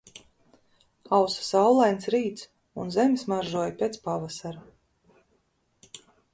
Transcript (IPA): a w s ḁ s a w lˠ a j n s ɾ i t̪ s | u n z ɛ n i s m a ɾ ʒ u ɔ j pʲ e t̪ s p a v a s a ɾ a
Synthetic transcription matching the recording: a w s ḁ s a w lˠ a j n s ɾ iː t̪ s | u n z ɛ m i s m a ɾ ʒ u ɔ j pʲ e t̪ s p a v a s a ɾ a